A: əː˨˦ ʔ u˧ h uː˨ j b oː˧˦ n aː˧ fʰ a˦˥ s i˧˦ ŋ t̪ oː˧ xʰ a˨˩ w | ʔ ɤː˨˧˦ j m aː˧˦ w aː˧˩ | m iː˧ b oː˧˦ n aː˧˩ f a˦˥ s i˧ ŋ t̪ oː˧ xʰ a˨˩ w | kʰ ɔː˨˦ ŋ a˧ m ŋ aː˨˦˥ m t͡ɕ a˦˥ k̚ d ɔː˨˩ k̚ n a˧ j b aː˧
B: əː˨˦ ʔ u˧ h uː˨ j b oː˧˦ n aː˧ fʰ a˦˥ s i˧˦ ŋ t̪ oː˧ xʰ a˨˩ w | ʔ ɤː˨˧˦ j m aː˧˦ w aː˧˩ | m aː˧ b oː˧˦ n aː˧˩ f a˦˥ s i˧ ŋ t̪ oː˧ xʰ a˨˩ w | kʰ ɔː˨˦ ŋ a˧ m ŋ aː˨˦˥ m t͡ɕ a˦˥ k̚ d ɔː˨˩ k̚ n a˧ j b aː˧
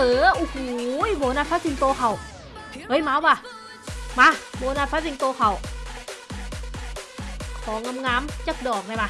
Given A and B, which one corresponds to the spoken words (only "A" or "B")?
B